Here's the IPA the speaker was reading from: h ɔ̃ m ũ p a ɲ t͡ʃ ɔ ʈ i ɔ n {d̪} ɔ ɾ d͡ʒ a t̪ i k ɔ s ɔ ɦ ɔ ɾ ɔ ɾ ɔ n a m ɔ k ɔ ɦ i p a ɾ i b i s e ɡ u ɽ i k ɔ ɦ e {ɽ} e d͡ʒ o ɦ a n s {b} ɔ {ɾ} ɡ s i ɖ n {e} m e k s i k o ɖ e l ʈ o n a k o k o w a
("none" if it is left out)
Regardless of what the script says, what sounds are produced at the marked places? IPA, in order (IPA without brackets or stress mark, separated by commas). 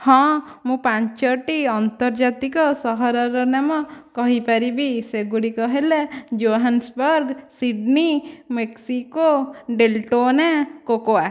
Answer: t̪, l, b, ɾ, i